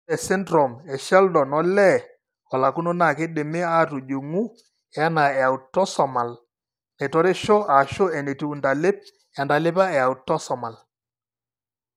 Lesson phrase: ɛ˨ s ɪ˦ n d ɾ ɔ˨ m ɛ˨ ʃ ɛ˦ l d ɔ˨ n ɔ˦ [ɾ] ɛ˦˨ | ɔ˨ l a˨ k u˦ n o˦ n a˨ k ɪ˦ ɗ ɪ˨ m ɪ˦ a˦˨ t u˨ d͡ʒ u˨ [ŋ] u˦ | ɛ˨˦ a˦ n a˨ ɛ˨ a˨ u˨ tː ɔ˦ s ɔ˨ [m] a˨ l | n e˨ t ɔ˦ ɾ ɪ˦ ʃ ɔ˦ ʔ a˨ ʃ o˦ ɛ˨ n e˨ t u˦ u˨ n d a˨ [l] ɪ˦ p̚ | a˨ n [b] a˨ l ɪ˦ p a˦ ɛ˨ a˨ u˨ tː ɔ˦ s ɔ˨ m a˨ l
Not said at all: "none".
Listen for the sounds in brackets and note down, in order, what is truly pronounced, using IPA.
l, ŋ, m, l, d

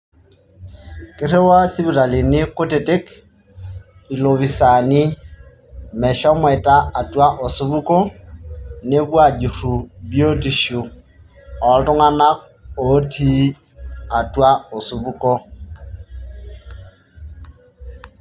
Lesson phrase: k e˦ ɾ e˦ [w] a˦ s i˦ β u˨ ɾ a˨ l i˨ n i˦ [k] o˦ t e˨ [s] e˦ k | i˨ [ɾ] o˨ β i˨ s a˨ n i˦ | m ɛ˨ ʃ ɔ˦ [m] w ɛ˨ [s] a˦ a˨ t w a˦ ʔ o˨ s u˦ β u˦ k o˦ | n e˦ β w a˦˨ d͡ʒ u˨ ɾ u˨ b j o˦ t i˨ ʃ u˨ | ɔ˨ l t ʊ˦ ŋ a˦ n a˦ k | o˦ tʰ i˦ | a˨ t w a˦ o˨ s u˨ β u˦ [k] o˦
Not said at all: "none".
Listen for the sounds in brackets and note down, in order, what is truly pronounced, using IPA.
w, k, t, l, m, t, k

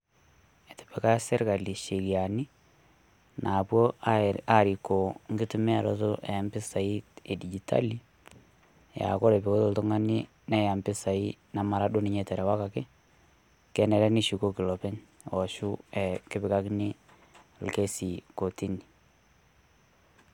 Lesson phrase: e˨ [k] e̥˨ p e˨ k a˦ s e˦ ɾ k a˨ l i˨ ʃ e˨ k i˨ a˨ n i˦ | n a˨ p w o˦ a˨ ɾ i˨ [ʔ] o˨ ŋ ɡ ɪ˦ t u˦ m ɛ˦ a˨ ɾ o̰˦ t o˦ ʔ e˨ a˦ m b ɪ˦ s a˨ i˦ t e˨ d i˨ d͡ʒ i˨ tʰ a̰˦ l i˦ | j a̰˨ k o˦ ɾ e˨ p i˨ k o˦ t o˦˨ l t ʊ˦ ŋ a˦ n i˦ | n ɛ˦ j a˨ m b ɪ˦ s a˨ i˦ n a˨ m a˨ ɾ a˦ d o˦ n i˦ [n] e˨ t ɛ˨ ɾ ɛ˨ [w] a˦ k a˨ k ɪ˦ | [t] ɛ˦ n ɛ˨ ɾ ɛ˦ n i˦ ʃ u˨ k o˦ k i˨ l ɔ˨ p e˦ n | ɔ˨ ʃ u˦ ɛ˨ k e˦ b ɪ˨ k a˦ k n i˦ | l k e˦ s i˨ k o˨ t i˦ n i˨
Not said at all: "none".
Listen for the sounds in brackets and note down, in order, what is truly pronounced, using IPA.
t, k, ɲ, w, k

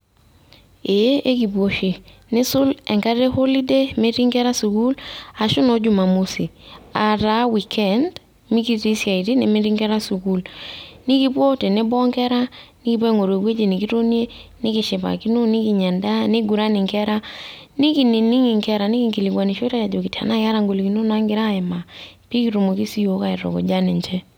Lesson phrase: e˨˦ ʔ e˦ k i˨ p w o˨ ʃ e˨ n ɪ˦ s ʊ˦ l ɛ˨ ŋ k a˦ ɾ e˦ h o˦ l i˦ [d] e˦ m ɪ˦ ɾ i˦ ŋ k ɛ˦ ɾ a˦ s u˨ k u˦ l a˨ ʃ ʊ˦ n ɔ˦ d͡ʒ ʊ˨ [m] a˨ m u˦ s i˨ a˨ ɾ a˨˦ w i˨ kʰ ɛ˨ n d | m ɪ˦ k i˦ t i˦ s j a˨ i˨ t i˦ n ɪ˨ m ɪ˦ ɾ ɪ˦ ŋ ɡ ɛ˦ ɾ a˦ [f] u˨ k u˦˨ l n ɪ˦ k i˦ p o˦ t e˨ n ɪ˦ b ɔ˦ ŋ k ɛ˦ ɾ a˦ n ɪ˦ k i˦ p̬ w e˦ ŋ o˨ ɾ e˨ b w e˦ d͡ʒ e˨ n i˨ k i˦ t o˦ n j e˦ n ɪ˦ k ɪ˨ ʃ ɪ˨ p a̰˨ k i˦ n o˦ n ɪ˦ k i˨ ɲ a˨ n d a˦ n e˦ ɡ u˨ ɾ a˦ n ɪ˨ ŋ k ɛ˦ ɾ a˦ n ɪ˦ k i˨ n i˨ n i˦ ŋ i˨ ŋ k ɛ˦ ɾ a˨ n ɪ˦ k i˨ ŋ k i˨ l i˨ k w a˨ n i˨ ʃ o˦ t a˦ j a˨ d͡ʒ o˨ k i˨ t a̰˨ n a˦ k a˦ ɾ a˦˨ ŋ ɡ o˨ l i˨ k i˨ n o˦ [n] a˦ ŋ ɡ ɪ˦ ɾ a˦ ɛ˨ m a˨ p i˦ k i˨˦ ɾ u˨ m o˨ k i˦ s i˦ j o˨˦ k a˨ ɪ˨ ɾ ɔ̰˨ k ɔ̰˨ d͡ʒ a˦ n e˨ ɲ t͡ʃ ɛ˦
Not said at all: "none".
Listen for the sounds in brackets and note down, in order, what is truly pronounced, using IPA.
d, m, s, n

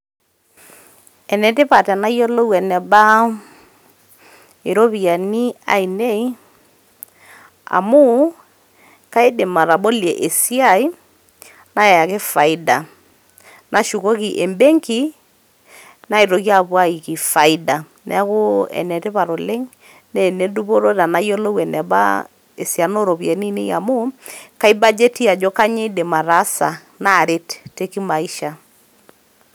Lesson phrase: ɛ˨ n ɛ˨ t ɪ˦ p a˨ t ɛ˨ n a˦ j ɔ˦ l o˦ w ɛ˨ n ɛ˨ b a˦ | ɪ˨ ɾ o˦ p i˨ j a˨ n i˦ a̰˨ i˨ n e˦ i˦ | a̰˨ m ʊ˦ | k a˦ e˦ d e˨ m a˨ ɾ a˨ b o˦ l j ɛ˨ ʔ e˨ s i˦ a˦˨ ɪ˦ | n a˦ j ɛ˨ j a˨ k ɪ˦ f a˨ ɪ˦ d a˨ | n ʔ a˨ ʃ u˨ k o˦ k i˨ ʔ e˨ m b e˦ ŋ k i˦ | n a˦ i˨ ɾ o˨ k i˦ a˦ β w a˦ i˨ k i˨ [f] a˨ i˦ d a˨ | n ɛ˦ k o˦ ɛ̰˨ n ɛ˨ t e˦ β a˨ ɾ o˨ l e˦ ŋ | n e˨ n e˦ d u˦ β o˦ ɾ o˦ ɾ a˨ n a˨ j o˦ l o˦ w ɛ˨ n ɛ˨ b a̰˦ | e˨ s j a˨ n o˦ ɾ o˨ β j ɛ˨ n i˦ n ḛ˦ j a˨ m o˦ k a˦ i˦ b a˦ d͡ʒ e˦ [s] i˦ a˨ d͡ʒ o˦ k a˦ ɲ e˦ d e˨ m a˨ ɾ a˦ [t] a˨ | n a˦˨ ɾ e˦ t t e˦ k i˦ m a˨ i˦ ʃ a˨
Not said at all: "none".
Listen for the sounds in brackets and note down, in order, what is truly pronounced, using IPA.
f, t, s

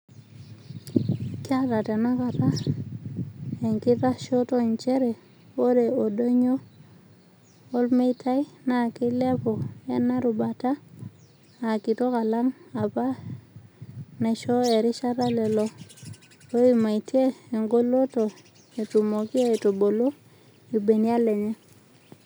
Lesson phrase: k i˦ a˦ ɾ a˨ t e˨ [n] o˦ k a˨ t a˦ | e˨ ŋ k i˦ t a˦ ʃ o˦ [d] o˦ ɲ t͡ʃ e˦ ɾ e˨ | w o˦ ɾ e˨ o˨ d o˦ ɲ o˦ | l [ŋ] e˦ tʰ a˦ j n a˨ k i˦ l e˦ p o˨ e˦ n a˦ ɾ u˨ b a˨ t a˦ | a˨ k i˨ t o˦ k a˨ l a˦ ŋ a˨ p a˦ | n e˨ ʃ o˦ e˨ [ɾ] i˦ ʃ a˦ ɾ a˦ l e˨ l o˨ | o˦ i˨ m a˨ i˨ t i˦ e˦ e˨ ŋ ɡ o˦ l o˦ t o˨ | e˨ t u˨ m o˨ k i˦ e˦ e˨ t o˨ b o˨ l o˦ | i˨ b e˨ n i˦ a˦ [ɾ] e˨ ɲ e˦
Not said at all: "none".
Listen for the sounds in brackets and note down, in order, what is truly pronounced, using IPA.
n, t, m, ɾ, l

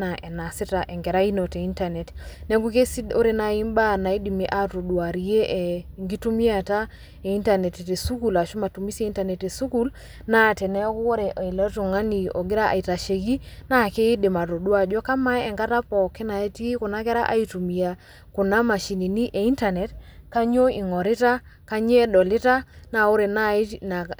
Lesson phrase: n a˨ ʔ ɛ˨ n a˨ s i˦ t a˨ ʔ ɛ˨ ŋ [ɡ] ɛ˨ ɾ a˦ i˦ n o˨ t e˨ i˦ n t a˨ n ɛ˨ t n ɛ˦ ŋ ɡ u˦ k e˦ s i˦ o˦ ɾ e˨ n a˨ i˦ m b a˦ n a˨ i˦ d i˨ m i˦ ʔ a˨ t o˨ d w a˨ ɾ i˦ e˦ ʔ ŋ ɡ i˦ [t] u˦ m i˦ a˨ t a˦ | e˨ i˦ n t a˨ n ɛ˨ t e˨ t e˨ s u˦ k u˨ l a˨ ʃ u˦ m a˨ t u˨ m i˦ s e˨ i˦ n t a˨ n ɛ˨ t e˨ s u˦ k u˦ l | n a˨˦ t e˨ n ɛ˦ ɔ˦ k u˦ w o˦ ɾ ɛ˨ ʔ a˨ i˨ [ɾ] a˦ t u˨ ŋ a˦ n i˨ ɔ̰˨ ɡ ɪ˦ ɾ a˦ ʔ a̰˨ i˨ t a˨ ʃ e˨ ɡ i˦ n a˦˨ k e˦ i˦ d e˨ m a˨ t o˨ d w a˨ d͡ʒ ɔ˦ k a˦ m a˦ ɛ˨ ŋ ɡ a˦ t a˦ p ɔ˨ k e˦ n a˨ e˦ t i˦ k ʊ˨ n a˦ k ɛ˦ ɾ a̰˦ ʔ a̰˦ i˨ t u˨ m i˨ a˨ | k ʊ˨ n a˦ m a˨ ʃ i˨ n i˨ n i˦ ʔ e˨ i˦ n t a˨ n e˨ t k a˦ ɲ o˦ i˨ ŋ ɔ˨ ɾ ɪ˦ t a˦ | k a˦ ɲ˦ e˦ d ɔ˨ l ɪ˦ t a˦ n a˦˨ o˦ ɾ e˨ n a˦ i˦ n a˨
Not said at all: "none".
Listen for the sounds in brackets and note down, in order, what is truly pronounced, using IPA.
ɡ, t, l

